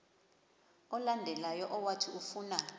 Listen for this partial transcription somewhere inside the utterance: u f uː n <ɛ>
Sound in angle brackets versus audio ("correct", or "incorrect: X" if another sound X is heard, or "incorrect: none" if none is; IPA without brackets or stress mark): incorrect: a